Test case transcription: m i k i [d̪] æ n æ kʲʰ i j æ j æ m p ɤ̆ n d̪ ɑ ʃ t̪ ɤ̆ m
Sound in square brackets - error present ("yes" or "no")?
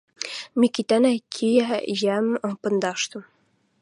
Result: yes